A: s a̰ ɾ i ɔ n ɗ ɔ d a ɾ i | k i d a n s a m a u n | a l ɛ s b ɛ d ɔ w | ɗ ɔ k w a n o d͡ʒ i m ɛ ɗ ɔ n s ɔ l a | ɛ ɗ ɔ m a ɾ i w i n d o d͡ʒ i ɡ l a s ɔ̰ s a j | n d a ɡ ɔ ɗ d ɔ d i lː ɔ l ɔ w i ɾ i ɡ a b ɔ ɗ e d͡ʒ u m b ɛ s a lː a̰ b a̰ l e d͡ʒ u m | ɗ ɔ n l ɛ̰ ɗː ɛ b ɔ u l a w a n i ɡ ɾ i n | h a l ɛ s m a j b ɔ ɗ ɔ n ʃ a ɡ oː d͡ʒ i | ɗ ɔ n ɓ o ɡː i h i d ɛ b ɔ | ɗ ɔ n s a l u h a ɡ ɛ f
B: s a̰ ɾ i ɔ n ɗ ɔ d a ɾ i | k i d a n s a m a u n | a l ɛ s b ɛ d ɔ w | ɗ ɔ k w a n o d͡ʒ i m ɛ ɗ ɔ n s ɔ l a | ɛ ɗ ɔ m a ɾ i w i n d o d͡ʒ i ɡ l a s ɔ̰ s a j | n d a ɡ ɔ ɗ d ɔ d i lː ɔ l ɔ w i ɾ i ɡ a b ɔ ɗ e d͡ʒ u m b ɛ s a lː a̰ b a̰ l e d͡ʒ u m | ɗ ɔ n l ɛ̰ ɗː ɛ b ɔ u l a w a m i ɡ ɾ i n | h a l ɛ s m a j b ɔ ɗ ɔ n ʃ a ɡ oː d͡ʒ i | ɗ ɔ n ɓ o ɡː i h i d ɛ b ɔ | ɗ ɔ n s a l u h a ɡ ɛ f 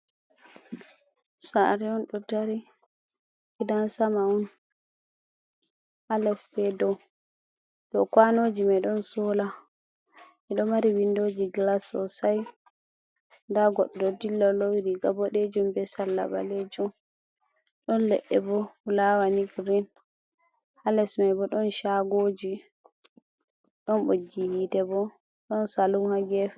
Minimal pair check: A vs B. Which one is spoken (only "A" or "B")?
A